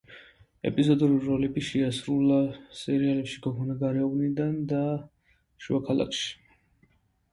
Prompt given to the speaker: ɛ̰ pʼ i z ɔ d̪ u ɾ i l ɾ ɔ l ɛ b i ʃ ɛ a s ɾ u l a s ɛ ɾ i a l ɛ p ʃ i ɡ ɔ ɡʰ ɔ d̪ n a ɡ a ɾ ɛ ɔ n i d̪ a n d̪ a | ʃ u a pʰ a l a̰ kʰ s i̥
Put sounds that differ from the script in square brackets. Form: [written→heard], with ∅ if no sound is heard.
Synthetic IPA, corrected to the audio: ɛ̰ pʼ i z ɔ d̪ u ɾ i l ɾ ɔ l ɛ b i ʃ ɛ a s ɾ u l a s ɛ ɾ i a l ɛ p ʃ i ɡ ɔ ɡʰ ɔ [d̪→∅] n a ɡ a ɾ ɛ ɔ n i d̪ a n d̪ a | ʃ u a [pʰ→kʰ] a l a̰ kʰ [s→ʃ] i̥

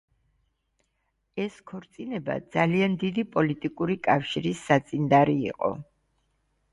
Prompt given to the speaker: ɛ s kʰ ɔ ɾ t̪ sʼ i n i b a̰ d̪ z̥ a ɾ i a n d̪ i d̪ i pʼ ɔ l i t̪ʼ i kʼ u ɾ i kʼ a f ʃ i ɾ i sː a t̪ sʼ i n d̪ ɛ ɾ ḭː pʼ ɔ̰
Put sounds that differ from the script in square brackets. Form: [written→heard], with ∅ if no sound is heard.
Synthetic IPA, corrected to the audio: ɛ s kʰ ɔ ɾ t̪ sʼ i n [i→ɛ] b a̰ d̪ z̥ a [ɾ→l] i a n d̪ i d̪ i pʼ ɔ l i t̪ʼ i kʼ u ɾ i kʼ a f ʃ i ɾ i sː a t̪ sʼ i n d̪ [ɛ→a] ɾ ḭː [pʼ→qʼ] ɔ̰

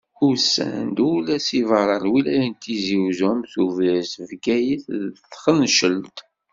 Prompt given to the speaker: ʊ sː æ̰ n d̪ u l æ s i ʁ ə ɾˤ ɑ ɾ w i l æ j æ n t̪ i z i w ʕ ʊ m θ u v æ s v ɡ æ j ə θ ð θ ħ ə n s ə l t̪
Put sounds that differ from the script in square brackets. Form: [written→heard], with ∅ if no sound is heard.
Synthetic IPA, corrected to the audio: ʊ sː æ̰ n d̪ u l æ s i [ʁ→v] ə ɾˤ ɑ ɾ w i l æ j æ n t̪ i z i w [ʕ→z] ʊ m θ u v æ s v ɡ æ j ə θ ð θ [ħ→χ] ə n [s→ʃ] ə l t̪

